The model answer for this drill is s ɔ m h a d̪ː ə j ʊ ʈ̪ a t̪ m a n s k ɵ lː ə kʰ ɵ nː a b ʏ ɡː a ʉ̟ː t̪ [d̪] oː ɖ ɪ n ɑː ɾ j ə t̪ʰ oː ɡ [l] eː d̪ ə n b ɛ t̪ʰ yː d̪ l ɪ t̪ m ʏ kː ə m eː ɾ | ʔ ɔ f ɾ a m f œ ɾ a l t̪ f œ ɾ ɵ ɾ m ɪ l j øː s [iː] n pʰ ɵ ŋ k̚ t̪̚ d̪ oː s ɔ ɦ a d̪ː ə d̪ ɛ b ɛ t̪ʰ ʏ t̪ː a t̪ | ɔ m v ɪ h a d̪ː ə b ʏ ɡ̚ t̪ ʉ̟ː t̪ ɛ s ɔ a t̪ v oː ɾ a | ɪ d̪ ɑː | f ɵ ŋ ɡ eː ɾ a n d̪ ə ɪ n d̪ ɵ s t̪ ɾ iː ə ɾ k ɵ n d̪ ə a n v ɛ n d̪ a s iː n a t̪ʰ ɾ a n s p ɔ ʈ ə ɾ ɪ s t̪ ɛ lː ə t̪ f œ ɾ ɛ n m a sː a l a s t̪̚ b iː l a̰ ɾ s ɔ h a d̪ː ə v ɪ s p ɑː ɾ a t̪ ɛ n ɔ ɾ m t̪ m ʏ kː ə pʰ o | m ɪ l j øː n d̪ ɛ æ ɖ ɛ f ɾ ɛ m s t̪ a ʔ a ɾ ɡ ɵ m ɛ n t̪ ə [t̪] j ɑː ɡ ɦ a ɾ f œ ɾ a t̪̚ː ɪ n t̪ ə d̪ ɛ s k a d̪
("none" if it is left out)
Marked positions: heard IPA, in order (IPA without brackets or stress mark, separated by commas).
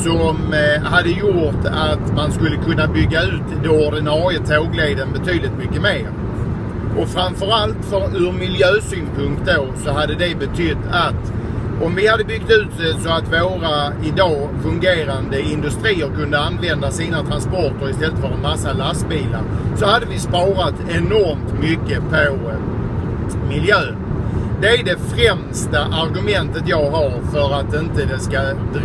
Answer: d̪, l, yː, t̪